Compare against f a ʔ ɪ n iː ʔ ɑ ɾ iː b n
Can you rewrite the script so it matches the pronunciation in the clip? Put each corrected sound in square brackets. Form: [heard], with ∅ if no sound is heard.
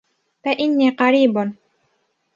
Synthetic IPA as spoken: f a ʔ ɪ [nː] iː [q] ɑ ɾ iː b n